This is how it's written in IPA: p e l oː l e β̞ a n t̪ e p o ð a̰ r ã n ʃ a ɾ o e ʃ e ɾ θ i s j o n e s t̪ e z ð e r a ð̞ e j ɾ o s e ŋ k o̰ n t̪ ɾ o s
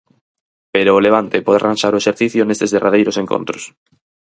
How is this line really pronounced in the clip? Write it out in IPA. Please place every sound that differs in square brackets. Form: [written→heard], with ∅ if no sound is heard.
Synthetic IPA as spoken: p e [l→ɾ] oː l e β̞ a n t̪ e p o ð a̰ r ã n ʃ a ɾ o e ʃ e ɾ θ i [s→θ] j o n e s t̪ e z ð e r a ð̞ e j ɾ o s e ŋ k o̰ n t̪ ɾ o s